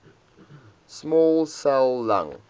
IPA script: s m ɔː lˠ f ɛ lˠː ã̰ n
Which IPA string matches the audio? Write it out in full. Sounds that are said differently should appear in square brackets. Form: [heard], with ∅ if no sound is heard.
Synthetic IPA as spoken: s m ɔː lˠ [s] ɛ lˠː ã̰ [ŋ]